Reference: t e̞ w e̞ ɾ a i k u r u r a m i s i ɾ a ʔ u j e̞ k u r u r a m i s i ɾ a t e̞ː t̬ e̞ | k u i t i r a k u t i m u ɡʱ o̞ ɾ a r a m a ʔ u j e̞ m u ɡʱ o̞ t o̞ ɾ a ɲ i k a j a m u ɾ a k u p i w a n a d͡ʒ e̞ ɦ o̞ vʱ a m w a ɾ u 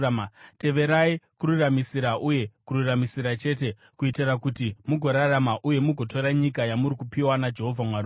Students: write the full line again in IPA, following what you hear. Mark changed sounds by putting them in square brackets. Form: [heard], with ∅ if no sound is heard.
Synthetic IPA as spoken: t e̞ [ʋ] e̞ ɾ a i k u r u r a m i s i ɾ a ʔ u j e̞ k u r u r a m i s i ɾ a [t͡ʃ] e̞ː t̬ e̞ | k u i t i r a k u t i m u ɡʱ o̞ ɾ a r a m a ʔ u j e̞ m u ɡʱ o̞ t o̞ ɾ a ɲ i k a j a m u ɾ [i] k u p i w a n a d͡ʒ e̞ ɦ o̞ vʱ a m w a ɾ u